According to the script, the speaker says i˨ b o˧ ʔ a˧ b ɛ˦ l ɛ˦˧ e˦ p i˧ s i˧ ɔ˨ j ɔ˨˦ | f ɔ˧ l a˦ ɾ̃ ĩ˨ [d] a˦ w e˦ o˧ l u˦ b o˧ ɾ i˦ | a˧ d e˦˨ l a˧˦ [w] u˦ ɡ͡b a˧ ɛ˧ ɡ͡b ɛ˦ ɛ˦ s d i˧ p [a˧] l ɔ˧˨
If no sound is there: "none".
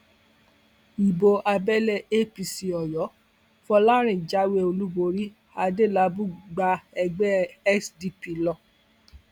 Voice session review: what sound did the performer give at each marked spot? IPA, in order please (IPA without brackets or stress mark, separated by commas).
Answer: d͡ʒ, b, i˧